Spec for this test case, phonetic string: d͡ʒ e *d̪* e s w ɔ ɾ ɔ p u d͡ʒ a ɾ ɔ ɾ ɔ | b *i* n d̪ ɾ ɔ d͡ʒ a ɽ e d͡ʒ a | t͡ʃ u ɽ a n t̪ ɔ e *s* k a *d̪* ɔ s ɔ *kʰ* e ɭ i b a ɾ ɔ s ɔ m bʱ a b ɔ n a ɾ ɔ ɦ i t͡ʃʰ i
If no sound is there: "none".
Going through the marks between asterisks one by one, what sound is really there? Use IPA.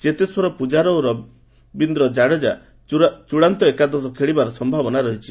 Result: t̪, i, none, d̪, kʰ

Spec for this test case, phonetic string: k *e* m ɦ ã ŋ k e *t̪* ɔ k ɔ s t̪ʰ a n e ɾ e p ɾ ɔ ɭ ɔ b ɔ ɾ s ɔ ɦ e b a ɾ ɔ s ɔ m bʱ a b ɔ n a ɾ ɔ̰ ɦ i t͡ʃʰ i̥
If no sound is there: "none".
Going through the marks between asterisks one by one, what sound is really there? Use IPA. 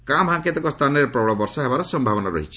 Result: a, t̪

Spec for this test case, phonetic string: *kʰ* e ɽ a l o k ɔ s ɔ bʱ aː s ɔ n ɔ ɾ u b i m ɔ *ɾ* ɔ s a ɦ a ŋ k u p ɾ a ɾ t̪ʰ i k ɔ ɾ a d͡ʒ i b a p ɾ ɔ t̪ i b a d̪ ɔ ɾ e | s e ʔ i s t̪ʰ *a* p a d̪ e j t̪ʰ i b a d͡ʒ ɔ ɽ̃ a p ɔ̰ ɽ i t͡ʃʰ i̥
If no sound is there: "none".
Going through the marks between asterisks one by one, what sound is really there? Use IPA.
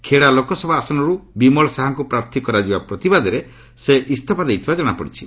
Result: kʰ, ɭ, a

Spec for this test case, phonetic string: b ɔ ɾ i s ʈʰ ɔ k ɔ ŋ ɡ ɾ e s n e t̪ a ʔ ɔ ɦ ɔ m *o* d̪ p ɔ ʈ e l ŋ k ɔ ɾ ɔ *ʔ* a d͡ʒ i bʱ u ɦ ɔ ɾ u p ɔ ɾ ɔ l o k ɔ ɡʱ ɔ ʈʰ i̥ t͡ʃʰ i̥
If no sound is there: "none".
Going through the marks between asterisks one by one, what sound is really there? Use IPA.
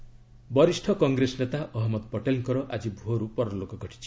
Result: ɔ, ʔ

